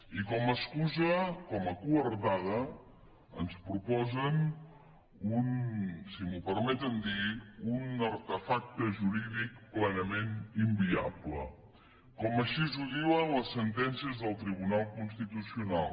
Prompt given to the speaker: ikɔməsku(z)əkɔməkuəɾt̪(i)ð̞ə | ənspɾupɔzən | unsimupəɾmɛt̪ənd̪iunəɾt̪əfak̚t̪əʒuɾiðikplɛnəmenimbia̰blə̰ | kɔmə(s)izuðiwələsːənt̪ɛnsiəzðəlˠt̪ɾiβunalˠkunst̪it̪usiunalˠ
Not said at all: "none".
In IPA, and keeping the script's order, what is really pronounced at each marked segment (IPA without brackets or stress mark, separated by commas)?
z, a, ʃ